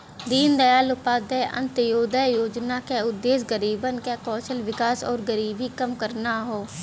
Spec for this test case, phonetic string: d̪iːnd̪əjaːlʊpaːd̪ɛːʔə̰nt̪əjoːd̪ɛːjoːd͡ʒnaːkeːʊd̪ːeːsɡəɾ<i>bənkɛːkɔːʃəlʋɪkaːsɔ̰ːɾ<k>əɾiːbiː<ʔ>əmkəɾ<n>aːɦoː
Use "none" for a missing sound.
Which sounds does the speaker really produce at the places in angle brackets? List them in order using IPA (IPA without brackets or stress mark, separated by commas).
iː, ɡ, k, n